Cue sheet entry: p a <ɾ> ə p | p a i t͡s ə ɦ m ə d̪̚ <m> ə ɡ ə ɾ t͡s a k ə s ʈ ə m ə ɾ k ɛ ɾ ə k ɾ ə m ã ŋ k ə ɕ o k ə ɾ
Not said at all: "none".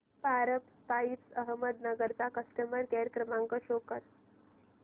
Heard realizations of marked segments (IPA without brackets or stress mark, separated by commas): ɾ, n